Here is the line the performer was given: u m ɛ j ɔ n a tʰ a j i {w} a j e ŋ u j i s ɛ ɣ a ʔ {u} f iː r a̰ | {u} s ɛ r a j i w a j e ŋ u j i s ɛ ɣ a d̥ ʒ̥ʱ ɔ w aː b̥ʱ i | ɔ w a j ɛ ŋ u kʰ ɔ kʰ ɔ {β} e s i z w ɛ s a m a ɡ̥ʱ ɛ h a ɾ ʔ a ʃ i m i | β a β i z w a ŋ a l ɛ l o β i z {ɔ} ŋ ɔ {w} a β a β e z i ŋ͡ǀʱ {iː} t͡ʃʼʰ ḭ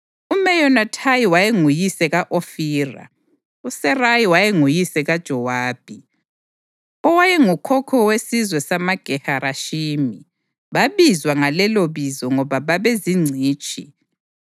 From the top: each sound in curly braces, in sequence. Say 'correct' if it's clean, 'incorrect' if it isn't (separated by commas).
correct, incorrect, correct, incorrect, correct, incorrect, correct